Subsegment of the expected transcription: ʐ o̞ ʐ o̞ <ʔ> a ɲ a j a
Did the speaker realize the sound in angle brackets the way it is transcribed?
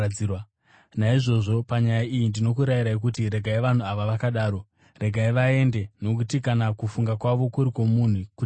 no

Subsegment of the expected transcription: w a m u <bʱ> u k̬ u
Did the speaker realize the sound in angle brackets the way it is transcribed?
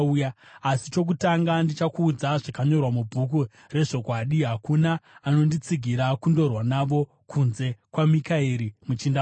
yes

